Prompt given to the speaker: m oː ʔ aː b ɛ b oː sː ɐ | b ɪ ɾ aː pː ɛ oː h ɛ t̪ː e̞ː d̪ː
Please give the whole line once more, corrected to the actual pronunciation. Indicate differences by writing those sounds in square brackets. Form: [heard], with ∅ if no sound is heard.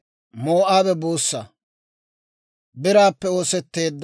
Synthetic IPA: m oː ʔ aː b ɛ b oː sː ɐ | b ɪ ɾ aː pː ɛ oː [s] ɛ t̪ː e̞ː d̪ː